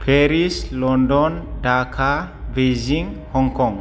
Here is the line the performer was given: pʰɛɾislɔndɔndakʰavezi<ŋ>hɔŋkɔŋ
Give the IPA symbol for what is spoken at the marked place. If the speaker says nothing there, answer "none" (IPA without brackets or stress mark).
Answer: ŋ